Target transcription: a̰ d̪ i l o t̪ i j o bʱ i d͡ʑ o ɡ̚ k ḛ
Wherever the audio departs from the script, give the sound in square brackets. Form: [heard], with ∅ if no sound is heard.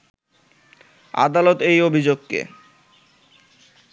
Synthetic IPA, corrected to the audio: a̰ d̪ [a] l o t̪ [e] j o bʱ i d͡ʑ o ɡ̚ k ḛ